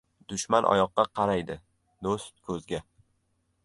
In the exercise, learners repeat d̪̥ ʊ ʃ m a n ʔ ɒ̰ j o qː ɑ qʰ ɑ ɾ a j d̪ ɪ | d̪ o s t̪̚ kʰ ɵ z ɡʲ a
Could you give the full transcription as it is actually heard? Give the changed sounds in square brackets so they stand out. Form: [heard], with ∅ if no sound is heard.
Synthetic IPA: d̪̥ ʊ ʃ m a n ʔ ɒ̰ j [ɒ] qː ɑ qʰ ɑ ɾ a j d̪ ɪ | d̪ o s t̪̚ kʰ ɵ z ɡʲ a